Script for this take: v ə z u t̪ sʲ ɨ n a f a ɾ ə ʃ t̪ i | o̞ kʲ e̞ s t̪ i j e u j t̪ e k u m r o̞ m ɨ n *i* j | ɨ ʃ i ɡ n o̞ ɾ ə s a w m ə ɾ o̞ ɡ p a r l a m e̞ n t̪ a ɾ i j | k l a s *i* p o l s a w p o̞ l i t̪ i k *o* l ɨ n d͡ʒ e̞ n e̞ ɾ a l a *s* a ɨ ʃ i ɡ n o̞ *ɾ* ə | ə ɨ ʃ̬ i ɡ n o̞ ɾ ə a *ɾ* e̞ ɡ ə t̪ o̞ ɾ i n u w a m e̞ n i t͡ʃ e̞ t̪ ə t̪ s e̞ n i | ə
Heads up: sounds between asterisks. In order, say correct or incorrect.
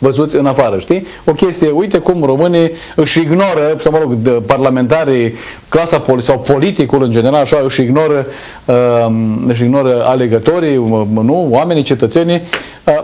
correct, incorrect: a, incorrect: u, incorrect: ʃ, correct, incorrect: l

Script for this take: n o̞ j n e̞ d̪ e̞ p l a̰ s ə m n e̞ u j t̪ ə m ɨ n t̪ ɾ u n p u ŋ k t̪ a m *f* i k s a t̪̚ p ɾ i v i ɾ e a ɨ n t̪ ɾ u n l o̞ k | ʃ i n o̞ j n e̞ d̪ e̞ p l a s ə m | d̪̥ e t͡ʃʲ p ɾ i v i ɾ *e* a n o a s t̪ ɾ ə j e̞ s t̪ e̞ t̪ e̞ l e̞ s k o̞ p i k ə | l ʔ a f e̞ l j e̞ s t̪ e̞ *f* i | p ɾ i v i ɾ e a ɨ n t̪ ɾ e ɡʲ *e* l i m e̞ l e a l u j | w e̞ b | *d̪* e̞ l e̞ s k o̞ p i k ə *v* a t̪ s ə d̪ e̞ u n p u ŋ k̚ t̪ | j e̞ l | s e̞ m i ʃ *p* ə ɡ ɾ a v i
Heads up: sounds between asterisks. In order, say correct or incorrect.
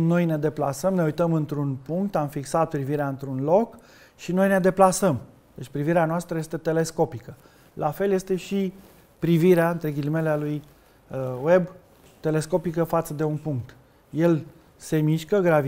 correct, correct, incorrect: ʃ, incorrect: i, incorrect: t̪, incorrect: f, incorrect: k

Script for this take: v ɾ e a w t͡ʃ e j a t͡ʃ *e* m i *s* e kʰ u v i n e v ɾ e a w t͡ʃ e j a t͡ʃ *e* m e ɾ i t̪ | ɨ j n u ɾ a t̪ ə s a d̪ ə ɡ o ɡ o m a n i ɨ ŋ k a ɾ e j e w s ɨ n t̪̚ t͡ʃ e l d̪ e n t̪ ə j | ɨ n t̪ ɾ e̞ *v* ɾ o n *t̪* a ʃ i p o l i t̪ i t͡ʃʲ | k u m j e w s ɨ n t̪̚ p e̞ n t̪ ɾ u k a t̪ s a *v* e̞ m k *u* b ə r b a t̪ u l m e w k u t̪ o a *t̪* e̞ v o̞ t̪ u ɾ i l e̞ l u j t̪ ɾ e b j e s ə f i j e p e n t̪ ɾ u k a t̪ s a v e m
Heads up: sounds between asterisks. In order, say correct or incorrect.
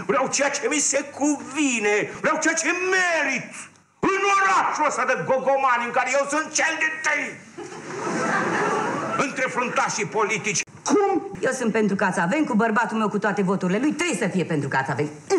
correct, correct, correct, incorrect: f, correct, correct, correct, correct

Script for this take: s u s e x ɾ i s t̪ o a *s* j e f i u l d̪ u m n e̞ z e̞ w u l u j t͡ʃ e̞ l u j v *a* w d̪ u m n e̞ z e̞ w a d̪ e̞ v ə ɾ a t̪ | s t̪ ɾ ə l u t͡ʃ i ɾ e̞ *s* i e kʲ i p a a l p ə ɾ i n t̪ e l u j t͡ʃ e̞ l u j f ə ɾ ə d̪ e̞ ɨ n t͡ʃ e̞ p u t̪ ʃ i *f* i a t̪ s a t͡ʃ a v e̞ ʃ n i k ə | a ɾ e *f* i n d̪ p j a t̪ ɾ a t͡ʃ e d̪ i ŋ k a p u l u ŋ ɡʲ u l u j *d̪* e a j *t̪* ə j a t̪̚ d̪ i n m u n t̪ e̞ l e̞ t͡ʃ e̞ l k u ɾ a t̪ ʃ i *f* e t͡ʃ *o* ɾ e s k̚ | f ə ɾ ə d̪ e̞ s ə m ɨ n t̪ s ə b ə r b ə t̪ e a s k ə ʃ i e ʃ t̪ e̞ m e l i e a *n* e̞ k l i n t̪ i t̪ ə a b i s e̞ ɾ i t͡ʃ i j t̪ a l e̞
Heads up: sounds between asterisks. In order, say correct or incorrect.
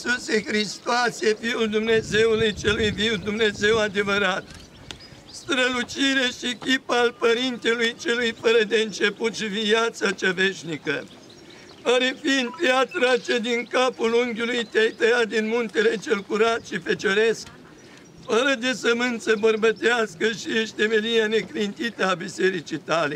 correct, incorrect: i, incorrect: ʃ, incorrect: v, correct, incorrect: t̪, correct, correct, correct, correct

